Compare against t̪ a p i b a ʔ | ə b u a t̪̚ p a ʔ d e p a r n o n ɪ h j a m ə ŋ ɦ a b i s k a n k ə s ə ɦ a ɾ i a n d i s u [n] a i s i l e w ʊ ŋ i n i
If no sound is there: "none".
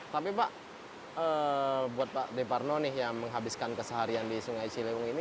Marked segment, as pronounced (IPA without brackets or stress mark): ŋ